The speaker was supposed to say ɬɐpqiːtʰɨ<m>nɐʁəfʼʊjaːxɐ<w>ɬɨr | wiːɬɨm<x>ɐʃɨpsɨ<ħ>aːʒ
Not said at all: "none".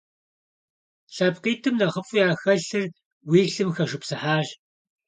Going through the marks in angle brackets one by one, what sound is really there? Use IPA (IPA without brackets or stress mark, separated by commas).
m, none, x, ħ